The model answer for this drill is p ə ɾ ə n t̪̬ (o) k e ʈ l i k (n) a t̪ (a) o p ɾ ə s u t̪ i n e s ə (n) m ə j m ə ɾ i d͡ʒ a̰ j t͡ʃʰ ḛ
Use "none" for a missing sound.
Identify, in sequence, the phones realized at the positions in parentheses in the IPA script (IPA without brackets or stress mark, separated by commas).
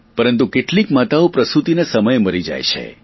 u, m, a, none